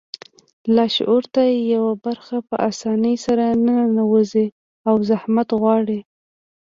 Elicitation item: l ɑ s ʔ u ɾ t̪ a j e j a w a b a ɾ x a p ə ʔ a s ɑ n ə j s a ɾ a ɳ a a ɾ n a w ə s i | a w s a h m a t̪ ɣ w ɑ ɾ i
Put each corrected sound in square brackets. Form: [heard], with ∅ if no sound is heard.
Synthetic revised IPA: l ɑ [ʃ] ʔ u ɾ t̪ a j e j a w a b a ɾ x a p ə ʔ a s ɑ n ə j s a ɾ a [n] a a [∅] n a w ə [z] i | a w [z] a h m a t̪ ɣ w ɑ [ɽ] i